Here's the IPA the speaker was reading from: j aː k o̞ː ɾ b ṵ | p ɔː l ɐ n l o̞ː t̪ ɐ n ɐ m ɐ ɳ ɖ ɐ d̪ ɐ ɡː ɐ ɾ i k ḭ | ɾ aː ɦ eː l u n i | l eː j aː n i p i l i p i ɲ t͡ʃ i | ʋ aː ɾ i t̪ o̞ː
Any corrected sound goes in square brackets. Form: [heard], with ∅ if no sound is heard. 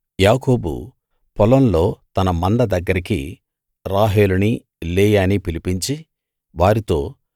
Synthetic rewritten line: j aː k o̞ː [∅] b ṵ | p [ɔ] l ɐ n l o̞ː t̪ ɐ n ɐ m ɐ ɳ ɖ ɐ d̪ ɐ ɡː ɐ ɾ i k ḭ | ɾ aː ɦ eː l u n i | l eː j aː n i p i l i p i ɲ t͡ʃ i | ʋ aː ɾ i t̪ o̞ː